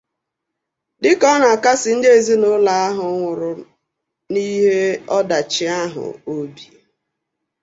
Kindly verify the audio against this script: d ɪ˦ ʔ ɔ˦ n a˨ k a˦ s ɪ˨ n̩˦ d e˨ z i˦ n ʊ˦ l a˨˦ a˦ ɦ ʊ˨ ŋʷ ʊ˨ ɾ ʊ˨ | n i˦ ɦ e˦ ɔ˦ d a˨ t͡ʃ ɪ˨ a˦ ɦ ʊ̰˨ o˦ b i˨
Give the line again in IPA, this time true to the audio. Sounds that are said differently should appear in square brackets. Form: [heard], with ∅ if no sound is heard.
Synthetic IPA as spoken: d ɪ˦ [k] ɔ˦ n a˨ k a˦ s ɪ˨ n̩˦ d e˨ z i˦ n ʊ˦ l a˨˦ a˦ ɦ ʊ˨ ŋʷ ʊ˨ ɾ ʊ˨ | n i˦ ɦ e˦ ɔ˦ d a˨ t͡ʃ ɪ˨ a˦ ɦ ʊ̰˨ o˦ b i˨